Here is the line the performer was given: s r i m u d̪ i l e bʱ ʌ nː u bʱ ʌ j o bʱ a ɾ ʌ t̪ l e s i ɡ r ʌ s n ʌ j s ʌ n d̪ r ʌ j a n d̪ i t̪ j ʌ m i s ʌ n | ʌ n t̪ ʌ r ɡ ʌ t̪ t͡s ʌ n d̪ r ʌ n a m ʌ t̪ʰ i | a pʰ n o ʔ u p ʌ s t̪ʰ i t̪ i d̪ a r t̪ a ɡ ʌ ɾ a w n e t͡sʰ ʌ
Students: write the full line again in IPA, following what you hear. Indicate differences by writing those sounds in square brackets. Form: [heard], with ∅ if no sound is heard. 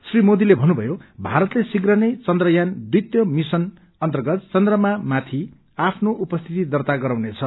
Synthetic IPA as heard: s r i m [o] d̪ i l e bʱ ʌ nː u bʱ ʌ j o bʱ a ɾ ʌ t̪ l e s i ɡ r ʌ [∅] n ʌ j [t͡s] ʌ n d̪ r ʌ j a n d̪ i t̪ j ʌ m i s ʌ n | ʌ n t̪ ʌ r ɡ ʌ t̪ t͡s ʌ n d̪ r ʌ [m] a m [a] t̪ʰ i | a pʰ n o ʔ u p ʌ s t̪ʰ i t̪ i d̪ [ʌ] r t̪ a ɡ ʌ ɾ a w n e t͡sʰ ʌ